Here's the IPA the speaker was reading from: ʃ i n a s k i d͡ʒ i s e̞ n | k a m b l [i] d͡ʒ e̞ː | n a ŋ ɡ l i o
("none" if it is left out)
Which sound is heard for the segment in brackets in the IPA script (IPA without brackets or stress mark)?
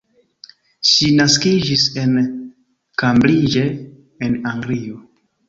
i